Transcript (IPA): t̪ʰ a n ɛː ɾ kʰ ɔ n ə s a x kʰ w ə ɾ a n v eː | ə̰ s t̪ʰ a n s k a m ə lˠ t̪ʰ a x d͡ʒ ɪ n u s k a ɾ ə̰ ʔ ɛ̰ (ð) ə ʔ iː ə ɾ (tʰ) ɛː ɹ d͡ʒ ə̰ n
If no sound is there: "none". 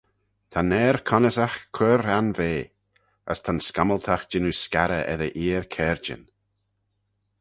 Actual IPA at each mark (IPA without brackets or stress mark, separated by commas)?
ð, kʰ